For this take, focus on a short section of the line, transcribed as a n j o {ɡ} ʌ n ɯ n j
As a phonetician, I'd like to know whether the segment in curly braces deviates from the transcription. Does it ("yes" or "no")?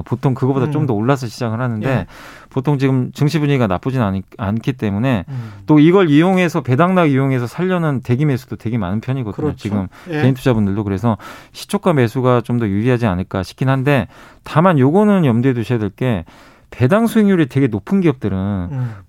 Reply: no